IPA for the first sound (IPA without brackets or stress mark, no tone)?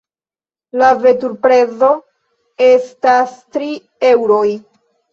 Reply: l